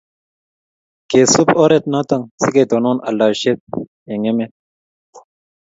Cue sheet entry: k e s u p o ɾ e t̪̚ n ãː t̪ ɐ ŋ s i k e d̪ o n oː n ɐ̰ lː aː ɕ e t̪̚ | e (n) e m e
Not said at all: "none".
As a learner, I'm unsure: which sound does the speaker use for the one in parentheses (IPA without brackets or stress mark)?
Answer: ŋ